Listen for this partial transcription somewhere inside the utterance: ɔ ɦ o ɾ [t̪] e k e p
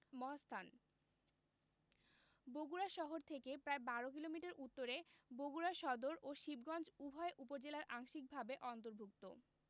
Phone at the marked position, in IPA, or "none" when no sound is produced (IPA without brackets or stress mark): t̪ʰ